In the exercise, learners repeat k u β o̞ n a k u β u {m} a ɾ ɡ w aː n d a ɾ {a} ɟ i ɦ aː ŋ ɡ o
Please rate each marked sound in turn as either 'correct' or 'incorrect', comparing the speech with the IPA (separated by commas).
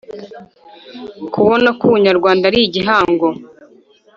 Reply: incorrect, incorrect